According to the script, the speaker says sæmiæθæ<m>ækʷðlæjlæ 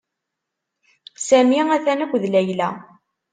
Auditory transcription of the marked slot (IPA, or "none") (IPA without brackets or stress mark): n